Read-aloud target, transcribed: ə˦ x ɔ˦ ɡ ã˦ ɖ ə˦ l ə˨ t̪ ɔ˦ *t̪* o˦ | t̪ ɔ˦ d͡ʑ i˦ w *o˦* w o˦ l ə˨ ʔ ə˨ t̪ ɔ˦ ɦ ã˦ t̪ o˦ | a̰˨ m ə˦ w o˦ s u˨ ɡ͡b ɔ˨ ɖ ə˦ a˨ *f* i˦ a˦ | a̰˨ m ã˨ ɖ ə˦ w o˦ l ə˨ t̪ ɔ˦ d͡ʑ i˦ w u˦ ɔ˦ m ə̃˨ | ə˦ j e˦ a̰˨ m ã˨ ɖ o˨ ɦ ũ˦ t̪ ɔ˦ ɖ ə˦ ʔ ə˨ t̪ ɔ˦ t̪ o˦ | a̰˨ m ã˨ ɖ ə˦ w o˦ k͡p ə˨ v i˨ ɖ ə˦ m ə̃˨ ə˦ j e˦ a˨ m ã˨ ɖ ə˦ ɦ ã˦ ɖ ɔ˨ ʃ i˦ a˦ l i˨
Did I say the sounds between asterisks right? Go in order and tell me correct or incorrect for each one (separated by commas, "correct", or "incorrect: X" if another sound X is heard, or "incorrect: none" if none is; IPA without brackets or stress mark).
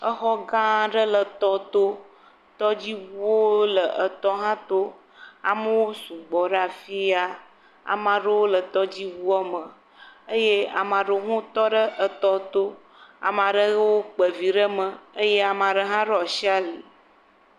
correct, incorrect: u˦, correct